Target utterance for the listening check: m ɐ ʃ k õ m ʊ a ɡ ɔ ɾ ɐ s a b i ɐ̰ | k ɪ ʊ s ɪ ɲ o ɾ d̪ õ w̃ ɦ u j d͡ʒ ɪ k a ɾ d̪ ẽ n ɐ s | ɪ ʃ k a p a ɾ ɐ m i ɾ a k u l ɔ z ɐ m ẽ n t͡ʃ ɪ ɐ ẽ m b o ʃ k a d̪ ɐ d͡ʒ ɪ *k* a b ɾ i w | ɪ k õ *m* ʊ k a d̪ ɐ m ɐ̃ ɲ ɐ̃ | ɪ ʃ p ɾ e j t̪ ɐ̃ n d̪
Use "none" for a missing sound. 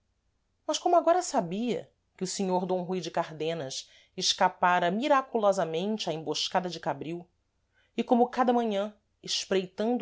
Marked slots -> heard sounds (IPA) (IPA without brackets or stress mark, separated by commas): k, m